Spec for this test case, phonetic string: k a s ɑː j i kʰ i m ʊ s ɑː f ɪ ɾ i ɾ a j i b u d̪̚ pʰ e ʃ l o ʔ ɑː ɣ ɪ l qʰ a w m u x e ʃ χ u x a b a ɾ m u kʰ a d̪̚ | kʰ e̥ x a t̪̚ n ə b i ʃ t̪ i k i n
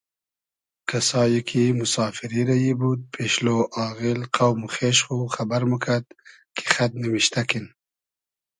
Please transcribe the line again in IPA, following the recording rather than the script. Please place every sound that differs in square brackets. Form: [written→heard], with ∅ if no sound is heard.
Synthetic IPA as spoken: k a s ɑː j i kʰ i m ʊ s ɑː f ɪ ɾ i ɾ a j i b u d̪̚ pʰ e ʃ l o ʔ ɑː ɣ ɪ l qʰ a w m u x e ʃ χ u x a b a ɾ m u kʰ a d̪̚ | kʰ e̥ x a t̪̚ n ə [b→m] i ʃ t̪ [i→a] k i n